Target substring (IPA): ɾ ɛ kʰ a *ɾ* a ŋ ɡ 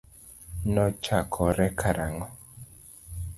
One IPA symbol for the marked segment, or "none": ɾ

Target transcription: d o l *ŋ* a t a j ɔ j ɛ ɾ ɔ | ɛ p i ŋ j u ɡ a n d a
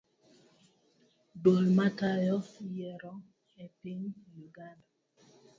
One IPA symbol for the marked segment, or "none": m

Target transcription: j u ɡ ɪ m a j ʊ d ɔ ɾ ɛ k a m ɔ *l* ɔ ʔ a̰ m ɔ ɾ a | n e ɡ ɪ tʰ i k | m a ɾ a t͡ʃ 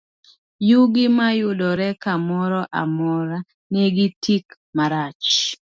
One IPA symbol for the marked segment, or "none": ɾ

